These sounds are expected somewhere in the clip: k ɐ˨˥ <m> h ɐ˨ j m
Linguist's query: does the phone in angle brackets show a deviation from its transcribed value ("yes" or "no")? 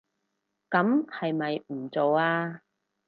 no